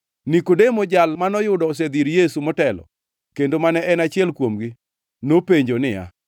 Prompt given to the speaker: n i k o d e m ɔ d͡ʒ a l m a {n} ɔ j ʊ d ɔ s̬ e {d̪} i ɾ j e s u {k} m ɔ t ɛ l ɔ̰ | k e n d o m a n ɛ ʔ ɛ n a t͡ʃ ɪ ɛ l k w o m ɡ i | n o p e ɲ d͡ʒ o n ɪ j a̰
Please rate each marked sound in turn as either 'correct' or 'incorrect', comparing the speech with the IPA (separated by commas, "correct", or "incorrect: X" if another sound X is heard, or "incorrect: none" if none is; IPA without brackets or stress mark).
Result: correct, correct, incorrect: none